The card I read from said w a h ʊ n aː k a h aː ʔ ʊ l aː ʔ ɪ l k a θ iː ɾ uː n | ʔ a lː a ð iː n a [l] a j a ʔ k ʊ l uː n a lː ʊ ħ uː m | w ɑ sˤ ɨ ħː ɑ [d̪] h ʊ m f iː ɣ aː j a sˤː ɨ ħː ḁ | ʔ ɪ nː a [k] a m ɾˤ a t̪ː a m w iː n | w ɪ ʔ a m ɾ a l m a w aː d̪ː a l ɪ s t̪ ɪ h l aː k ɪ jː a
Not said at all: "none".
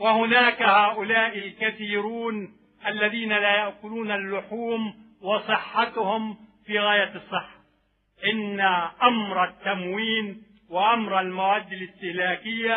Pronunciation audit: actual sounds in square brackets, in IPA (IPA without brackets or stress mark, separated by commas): l, t̪, ʔ